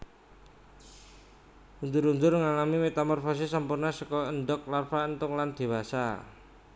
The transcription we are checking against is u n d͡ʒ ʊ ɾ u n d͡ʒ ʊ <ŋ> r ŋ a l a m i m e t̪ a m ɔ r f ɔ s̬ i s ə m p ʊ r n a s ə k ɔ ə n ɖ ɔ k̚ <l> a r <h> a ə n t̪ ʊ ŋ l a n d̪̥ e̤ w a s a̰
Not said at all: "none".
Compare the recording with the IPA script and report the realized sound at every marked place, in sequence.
none, l, f

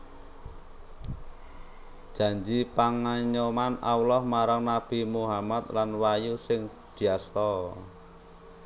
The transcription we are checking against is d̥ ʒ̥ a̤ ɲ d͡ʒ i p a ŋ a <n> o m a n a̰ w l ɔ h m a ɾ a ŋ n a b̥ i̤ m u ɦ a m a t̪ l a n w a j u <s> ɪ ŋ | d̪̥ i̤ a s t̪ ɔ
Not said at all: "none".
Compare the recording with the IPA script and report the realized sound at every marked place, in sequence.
ɲ, s

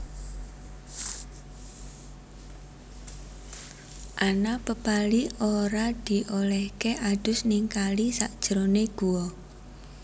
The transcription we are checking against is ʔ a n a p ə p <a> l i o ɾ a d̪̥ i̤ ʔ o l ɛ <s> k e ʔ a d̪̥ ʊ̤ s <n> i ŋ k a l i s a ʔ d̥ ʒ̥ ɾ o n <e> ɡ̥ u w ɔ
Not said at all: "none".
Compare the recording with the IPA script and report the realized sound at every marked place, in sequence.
a, h, n, e

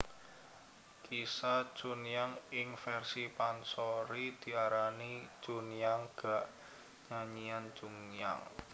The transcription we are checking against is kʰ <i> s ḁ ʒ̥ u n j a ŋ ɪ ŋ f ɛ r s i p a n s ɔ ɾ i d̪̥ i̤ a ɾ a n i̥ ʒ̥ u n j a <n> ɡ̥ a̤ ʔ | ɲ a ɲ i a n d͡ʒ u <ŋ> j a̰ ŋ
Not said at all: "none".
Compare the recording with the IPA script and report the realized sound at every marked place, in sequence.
i, ŋ, ŋ

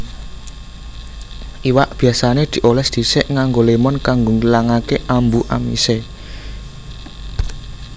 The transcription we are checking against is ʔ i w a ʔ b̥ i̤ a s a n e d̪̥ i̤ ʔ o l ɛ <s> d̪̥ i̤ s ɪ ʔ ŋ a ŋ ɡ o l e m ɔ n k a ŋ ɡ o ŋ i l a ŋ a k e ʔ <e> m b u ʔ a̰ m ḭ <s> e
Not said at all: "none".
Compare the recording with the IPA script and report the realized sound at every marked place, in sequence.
s, a, s

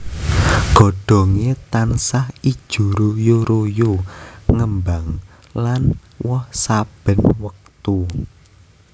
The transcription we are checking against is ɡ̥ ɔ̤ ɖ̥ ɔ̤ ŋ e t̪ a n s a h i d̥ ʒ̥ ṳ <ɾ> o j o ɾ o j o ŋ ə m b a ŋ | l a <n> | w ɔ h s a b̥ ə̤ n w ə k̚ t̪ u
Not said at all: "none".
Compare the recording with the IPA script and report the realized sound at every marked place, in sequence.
ɾ, n

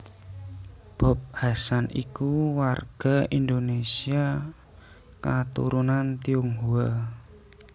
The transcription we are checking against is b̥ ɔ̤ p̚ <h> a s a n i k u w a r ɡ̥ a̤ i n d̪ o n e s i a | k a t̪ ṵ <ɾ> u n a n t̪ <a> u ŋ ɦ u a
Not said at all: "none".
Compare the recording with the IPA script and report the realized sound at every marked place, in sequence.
h, ɾ, i

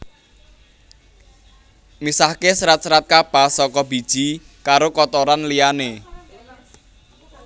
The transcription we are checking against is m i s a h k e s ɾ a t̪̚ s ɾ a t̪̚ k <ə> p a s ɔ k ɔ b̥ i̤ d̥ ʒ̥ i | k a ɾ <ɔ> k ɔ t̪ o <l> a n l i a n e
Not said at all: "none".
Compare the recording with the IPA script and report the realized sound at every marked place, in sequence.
a, o, ɾ

